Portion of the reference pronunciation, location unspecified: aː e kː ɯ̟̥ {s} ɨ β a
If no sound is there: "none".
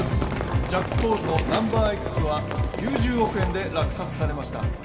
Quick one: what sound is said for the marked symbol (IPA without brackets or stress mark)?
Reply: s